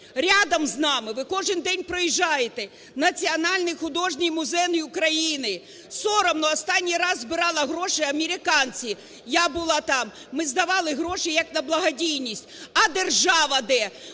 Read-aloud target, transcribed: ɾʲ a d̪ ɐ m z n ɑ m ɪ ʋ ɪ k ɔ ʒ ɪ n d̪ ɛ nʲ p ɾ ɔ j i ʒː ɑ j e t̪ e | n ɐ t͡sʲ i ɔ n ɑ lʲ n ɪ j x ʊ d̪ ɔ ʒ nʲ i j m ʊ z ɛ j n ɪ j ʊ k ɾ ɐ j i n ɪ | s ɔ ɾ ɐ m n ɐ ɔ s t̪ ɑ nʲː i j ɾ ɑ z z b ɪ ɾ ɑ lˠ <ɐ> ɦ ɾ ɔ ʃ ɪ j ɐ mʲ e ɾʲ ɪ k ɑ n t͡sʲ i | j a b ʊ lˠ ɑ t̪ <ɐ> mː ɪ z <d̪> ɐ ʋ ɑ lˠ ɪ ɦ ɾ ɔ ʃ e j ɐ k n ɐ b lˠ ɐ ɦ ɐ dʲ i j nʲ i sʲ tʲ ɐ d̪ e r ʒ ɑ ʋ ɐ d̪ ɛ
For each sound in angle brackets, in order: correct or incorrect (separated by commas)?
correct, incorrect, correct